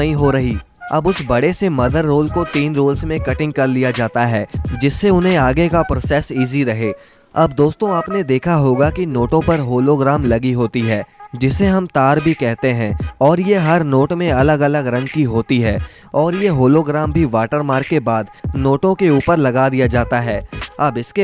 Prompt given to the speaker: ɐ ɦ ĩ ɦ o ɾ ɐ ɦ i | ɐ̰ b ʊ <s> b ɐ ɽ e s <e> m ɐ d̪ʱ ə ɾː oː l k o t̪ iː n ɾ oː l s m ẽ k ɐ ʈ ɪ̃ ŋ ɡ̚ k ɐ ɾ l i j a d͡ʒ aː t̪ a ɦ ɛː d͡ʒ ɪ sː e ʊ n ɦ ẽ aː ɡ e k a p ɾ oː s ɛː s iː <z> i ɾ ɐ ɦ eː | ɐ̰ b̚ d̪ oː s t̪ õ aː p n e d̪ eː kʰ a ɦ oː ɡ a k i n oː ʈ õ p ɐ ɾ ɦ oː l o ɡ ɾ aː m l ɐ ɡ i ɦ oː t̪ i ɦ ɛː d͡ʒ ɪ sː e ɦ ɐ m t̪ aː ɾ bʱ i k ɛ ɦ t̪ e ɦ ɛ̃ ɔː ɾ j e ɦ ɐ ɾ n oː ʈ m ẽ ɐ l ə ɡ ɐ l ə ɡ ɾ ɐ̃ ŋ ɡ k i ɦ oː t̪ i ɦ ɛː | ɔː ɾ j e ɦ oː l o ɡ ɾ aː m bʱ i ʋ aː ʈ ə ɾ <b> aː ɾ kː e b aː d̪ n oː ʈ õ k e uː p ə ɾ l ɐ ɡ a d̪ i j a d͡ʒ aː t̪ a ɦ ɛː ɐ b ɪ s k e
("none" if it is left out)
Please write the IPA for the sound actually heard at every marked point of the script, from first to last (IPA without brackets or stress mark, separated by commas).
s, e, z, m